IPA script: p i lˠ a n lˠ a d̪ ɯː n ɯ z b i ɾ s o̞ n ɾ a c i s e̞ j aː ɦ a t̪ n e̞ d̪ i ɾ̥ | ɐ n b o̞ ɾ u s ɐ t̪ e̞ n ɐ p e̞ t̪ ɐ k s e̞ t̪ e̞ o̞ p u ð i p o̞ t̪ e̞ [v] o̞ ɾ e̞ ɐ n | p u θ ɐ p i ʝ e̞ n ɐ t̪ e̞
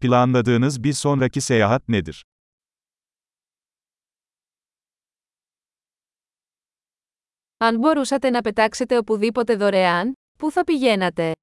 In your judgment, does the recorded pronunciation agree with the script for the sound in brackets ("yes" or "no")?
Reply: no